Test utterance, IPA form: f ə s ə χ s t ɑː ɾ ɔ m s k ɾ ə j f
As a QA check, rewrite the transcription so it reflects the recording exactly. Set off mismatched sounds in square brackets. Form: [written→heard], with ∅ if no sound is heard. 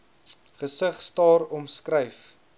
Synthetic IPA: [f→χ] ə s ə χ s t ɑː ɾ ɔ m s k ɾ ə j f